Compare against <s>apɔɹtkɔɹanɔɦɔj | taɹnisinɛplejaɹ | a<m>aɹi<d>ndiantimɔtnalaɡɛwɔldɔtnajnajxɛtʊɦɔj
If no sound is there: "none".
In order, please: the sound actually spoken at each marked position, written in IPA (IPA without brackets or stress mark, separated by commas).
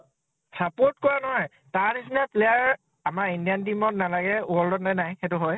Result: s, m, none